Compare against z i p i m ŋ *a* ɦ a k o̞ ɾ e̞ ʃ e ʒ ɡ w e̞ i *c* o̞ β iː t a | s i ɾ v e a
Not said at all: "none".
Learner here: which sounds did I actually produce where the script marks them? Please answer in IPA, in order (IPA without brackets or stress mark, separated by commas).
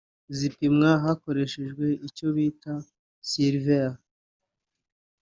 a, c